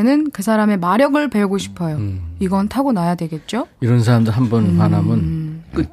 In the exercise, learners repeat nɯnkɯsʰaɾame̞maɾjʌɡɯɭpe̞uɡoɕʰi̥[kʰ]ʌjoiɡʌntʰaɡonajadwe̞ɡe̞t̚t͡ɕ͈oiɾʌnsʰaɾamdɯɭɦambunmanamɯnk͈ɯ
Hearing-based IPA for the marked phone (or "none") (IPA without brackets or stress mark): pʰ